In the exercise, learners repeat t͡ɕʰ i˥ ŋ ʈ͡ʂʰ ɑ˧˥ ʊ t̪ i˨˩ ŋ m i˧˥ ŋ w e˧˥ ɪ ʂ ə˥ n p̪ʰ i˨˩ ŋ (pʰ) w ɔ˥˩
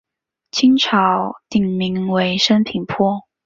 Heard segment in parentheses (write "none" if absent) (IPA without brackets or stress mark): pʰ